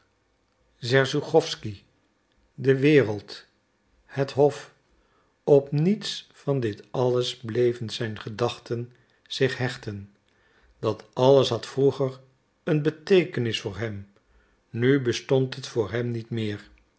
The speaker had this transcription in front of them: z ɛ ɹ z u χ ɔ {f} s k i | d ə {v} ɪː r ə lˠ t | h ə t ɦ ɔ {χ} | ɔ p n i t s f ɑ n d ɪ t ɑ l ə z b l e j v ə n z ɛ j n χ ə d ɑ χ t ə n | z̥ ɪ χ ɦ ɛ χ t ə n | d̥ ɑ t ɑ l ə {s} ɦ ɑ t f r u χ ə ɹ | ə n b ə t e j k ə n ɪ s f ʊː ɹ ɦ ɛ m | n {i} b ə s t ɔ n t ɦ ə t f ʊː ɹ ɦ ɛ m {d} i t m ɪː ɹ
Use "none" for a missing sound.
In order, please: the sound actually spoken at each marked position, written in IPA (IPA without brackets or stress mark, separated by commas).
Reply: f, ʋ, f, s, y, n